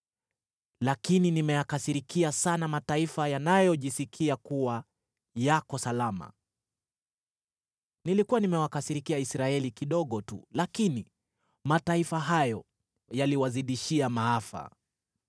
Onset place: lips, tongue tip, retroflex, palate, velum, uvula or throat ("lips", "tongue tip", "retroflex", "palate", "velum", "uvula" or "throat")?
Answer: tongue tip